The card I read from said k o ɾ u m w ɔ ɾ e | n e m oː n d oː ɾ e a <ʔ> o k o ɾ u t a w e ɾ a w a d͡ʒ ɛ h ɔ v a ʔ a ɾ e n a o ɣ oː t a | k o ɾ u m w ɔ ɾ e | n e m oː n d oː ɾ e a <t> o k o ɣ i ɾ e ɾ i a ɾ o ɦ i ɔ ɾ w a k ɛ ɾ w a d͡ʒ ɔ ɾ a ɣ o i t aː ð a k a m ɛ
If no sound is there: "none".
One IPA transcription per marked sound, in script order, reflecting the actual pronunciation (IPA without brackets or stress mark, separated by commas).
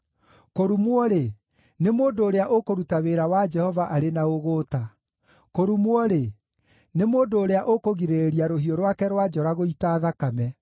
ʔ, ʔ